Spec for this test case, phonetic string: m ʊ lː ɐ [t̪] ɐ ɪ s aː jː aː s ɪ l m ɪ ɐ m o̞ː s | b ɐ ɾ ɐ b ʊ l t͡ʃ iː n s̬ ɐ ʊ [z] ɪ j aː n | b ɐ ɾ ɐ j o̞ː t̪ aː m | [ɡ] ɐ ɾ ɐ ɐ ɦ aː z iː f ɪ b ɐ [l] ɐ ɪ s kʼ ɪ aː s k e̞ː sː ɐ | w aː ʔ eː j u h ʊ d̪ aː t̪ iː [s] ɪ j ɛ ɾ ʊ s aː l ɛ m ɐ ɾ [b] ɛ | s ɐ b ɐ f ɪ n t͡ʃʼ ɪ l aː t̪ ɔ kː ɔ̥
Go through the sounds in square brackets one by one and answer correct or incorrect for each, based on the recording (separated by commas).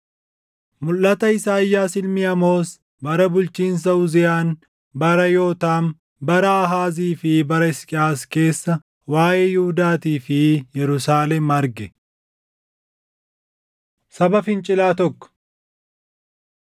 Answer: correct, correct, incorrect, incorrect, incorrect, incorrect